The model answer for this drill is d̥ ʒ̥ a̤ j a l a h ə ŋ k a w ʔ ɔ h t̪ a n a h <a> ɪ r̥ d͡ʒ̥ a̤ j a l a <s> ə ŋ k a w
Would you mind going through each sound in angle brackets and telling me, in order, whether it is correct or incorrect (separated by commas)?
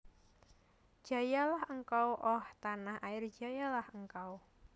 correct, incorrect